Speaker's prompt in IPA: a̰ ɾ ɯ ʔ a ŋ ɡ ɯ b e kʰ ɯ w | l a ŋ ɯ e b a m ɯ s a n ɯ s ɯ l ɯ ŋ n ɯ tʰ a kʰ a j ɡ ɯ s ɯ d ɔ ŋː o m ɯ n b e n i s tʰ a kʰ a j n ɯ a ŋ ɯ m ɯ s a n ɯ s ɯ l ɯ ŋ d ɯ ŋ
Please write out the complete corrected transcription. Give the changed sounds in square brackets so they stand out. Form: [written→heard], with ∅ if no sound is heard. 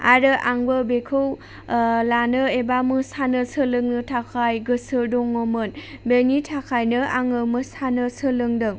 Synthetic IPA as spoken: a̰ ɾ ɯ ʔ a ŋ [ɡ→b] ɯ b e kʰ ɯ w | l a [ŋ→n] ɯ e b a m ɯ s a n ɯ s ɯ l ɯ ŋ n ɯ tʰ a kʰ a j ɡ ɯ s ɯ d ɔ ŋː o m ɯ n b e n i [s→∅] tʰ a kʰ a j n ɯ a ŋ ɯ m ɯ s a n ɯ s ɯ l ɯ ŋ d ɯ ŋ